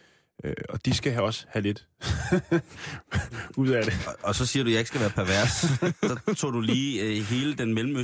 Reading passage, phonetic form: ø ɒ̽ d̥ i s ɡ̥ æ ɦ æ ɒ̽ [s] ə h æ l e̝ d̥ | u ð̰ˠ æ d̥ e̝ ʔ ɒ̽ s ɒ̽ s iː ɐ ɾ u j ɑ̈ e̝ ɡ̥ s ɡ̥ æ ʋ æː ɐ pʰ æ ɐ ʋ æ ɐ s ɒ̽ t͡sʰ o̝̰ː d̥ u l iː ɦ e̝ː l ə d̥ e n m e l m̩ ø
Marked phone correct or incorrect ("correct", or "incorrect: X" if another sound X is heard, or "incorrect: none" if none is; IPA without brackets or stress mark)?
correct